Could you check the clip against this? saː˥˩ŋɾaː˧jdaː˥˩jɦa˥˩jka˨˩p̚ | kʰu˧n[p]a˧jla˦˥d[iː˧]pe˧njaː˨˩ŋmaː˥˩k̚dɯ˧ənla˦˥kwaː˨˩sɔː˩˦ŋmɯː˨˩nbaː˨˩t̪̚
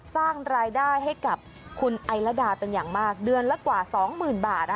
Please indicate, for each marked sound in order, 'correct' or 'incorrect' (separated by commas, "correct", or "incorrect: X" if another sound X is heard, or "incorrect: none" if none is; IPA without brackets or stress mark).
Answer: incorrect: ʔ, incorrect: aː˧